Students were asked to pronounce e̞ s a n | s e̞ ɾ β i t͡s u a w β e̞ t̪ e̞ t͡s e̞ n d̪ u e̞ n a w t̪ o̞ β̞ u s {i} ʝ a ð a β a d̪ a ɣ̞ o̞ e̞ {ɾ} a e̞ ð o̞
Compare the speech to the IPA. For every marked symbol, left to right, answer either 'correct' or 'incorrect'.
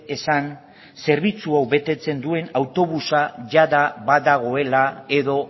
incorrect: a, incorrect: l

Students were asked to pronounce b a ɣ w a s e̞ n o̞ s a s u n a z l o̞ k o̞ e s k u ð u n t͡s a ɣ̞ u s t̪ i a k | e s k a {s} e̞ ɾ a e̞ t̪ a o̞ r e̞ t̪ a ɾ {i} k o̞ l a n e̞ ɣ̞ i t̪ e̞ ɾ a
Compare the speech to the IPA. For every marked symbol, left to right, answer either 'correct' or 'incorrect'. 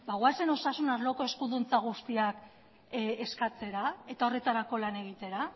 incorrect: t͡s, incorrect: a

